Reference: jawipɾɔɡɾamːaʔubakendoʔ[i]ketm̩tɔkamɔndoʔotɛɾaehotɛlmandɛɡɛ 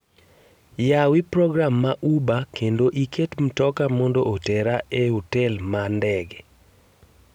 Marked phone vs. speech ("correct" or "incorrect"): correct